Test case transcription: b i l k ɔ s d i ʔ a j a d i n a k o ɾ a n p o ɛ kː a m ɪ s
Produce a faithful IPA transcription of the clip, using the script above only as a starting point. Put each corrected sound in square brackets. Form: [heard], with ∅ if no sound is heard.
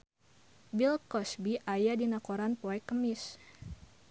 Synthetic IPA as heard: b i l k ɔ s [b] i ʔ a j a d i n a k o ɾ a n p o ɛ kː [ə] m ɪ s